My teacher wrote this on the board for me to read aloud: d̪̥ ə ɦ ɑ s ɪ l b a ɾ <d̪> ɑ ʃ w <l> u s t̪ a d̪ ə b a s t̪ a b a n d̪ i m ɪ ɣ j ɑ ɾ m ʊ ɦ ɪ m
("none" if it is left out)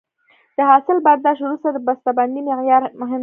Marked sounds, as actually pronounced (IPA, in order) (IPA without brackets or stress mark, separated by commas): d̪, ɾ